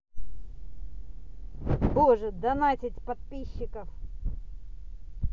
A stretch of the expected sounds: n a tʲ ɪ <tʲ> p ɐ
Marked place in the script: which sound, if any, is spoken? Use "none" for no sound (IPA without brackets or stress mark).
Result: tʲ